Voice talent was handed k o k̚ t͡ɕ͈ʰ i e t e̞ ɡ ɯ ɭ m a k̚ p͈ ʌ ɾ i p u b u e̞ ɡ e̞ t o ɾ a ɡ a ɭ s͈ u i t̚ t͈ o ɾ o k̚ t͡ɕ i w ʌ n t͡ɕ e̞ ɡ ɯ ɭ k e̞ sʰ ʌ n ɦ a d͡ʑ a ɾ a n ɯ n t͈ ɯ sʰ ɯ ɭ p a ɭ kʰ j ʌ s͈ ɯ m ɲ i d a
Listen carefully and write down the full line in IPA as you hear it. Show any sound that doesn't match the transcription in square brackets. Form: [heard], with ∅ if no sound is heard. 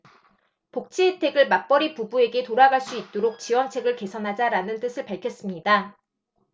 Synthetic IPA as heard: [p] o k̚ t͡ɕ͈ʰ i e [tʰ] e̞ ɡ ɯ ɭ m a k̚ p͈ ʌ ɾ i p u b u e̞ ɡ e̞ t o ɾ a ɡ a ɭ s͈ u i t̚ t͈ o ɾ o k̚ t͡ɕ i w ʌ n [t͡ɕʰ] e̞ ɡ ɯ ɭ k e̞ sʰ ʌ n ɦ a d͡ʑ a ɾ a n ɯ n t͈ ɯ sʰ ɯ ɭ p a ɭ kʰ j ʌ s͈ ɯ m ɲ i d a

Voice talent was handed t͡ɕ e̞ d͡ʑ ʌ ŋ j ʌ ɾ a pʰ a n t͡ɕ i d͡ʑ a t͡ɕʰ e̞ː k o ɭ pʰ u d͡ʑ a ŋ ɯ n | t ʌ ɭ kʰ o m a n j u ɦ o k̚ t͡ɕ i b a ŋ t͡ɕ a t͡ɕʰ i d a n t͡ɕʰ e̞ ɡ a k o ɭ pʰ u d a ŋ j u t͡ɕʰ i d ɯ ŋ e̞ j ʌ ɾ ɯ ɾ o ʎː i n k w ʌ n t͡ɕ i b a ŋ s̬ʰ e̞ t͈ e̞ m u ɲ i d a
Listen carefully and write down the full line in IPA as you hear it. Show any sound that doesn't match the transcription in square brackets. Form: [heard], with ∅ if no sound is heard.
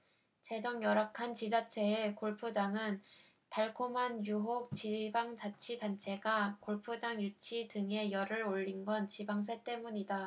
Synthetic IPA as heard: t͡ɕ e̞ d͡ʑ ʌ ŋ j ʌ ɾ a [kʰ] a n t͡ɕ i d͡ʑ a t͡ɕʰ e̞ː k o ɭ pʰ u d͡ʑ a ŋ ɯ n | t [a] ɭ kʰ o m a n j u ɦ o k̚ t͡ɕ i b a ŋ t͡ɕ a t͡ɕʰ i d a n t͡ɕʰ e̞ ɡ a k o ɭ pʰ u [d͡ʑ] a ŋ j u t͡ɕʰ i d ɯ ŋ e̞ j ʌ ɾ ɯ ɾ o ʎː i n [ɡ] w ʌ n t͡ɕ i b a ŋ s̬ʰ e̞ t͈ e̞ m u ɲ i d a

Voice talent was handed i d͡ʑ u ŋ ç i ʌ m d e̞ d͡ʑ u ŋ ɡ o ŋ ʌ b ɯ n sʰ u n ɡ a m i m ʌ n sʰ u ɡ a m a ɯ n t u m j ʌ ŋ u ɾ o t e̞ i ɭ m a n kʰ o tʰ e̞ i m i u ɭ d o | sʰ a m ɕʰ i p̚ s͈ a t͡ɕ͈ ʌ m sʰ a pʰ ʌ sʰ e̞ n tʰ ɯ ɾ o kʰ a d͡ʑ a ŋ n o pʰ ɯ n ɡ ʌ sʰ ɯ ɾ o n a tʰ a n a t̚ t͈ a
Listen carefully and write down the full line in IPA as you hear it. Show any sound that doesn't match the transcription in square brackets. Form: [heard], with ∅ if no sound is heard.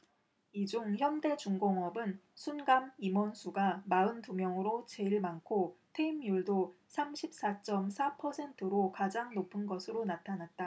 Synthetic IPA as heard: i d͡ʑ u ŋ ç [j] ʌ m d e̞ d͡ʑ u ŋ ɡ o ŋ ʌ b ɯ n sʰ u n ɡ a m i m ʌ n sʰ u ɡ a m a ɯ n t u m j ʌ ŋ [ɯ] ɾ o [t͡ɕ] e̞ i ɭ m a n kʰ o tʰ e̞ i m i u ɭ d o | sʰ a m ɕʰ i p̚ s͈ a t͡ɕ͈ ʌ m sʰ a pʰ ʌ sʰ e̞ n tʰ ɯ ɾ o [k] a d͡ʑ a ŋ n o pʰ ɯ n ɡ ʌ sʰ ɯ ɾ o n a tʰ a n a t̚ t͈ a

